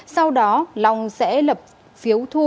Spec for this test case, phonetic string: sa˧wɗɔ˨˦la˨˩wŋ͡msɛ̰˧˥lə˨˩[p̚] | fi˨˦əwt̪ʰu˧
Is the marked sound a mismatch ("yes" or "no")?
no